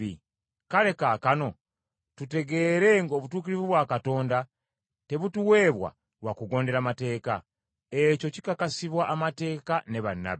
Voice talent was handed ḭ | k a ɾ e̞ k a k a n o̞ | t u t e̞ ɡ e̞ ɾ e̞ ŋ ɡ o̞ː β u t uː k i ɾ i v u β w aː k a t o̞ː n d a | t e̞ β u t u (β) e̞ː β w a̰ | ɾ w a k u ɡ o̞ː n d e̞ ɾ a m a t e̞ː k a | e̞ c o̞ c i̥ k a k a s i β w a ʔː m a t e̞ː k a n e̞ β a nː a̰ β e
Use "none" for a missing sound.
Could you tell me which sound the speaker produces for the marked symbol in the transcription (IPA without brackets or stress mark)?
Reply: w